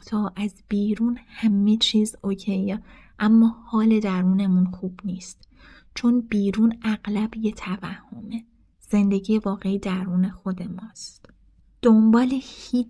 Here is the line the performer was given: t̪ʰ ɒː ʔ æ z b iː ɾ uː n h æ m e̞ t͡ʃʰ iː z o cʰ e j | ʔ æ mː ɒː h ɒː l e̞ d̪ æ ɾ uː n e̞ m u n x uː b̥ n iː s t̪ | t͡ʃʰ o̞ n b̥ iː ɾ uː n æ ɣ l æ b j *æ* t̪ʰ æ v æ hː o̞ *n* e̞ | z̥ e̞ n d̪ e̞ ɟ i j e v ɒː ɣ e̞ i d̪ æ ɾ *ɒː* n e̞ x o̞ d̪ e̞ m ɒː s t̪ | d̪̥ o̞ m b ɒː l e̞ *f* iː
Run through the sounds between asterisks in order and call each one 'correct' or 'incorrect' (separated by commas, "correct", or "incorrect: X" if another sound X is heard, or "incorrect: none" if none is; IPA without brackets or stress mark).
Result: incorrect: e, incorrect: m, incorrect: uː, incorrect: h